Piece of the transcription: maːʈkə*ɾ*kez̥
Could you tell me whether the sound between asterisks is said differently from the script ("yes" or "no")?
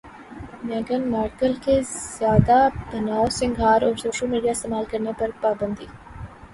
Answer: yes